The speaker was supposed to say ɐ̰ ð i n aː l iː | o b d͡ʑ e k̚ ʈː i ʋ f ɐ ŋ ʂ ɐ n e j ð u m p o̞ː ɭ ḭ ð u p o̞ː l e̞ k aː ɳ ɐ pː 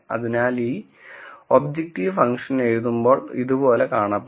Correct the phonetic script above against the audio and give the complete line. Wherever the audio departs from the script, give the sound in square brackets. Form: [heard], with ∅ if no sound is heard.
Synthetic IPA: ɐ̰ ð i n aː l iː | o b d͡ʑ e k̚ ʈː i ʋ f ɐ ŋ ʂ ɐ n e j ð u m [b] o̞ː ɭ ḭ ð u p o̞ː l e̞ k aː ɳ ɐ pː